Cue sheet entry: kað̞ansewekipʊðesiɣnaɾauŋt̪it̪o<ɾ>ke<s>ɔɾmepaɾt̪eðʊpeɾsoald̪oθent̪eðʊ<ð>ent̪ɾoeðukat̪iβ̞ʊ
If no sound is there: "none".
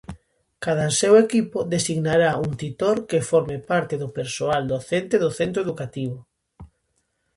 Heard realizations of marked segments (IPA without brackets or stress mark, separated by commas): ɾ, f, θ